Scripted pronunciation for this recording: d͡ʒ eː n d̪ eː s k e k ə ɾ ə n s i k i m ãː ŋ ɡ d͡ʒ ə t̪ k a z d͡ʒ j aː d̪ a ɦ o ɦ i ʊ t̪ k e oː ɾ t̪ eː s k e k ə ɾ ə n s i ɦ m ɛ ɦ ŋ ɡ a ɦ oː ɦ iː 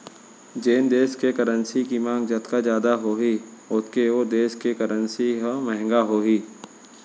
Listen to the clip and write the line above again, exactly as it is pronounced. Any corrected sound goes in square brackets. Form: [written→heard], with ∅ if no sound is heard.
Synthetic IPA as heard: d͡ʒ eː n d̪ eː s k e k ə ɾ ə n s i k i m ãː ŋ ɡ d͡ʒ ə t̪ k a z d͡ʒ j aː d̪ a ɦ o ɦ i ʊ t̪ k e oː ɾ [t̪→d̪] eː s k e k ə ɾ ə n s i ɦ m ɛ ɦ ŋ ɡ a ɦ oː ɦ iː